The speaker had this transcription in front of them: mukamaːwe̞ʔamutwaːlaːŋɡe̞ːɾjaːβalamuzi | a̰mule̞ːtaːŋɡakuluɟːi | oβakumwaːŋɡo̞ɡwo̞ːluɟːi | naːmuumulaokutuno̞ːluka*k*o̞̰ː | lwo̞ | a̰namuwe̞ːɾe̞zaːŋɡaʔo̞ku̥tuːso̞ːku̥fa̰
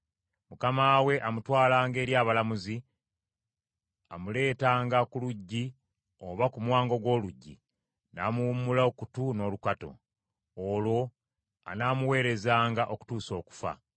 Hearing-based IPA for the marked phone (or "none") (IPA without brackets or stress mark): t